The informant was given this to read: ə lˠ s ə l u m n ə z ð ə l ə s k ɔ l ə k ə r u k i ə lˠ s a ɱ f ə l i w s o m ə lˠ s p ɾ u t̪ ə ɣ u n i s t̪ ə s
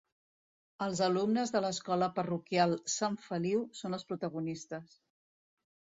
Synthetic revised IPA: ə lˠ z ə l u m n ə z ð ə l ə s k ɔ l ə p ə r u k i a lˠ s a ɱ f ə l i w s o n ə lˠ s p ɾ u t̪ ə ɣ u n i s t̪ ə s